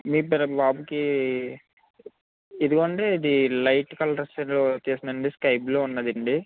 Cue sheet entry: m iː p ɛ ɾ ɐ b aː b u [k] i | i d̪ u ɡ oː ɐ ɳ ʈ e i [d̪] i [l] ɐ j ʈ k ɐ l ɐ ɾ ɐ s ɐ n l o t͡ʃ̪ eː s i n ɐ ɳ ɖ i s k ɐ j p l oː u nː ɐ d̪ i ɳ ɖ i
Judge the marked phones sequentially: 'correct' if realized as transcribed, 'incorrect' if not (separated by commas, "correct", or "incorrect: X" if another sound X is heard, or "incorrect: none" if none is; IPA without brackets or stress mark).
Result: correct, correct, correct